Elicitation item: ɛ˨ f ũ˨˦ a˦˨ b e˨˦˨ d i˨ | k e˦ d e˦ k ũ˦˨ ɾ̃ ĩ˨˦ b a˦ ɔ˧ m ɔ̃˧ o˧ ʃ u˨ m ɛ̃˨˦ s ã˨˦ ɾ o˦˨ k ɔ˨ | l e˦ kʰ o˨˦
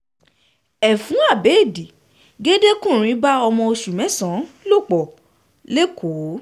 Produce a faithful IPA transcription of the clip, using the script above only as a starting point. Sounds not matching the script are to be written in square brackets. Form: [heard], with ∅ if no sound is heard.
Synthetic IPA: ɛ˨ f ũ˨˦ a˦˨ b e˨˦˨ d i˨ | [ɡ] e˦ d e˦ k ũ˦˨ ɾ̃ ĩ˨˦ b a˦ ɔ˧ m ɔ̃˧ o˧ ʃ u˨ m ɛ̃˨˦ s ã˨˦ [l] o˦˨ [k͡p] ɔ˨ | l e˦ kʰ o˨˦